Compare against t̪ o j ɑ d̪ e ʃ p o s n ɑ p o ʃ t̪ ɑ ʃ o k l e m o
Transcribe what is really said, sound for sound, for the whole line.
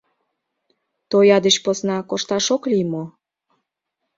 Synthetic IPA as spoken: t̪ o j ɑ d̪ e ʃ p o s n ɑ k o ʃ t̪ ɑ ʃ o k l i m o